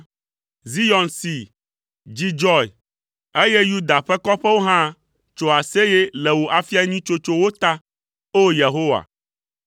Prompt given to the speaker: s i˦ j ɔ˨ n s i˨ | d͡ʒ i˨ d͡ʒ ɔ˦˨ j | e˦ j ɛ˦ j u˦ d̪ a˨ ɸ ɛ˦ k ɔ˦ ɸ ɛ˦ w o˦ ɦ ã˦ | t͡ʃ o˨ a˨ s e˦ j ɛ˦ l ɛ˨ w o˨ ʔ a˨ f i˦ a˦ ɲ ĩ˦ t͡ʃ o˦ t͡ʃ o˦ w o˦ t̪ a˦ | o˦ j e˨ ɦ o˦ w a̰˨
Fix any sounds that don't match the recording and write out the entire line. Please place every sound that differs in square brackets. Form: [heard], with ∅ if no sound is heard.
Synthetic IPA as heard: [z] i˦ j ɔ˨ n s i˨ | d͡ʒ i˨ d͡ʒ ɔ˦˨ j | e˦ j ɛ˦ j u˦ d̪ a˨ ɸ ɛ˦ k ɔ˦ ɸ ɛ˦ w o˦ ɦ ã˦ | t͡ʃ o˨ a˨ s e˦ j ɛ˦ l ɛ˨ w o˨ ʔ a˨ f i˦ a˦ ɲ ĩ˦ t͡ʃ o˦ t͡ʃ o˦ w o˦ t̪ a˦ | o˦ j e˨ ɦ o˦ w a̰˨